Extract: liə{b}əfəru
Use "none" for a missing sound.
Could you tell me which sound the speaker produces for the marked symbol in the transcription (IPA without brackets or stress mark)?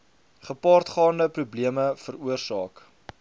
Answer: m